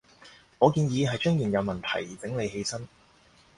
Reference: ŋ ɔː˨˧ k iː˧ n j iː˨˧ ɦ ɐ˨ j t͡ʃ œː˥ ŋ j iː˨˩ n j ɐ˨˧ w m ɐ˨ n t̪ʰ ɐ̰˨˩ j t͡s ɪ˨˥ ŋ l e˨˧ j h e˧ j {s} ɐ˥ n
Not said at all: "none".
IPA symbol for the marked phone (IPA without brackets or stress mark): s